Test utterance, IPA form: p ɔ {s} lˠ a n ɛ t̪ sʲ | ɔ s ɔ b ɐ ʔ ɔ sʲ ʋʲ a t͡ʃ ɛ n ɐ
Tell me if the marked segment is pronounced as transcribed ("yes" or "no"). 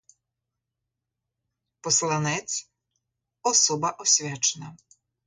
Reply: yes